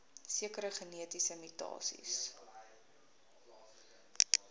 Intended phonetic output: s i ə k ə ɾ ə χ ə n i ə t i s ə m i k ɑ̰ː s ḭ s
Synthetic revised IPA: s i ə k ə ɾ ə χ ə n i ə t i s ə m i t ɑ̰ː s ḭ s

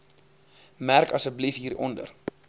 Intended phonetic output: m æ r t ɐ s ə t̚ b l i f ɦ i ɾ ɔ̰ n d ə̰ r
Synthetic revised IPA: m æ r k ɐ s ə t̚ b l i f ɦ iː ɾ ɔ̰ n d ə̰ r

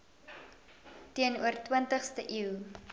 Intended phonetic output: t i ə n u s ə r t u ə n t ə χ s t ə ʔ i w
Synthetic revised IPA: t i ə n u ə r t w ə n t ə χ s t ə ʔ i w

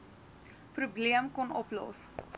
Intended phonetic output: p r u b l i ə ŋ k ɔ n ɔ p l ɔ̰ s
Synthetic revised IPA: p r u b l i ə m k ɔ n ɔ p l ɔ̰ s

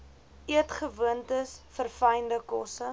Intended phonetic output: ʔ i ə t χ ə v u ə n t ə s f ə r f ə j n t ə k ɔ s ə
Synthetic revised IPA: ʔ i ə t χ ə v u ə n t ə s f ə r f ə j n d ə k ɔ s ə

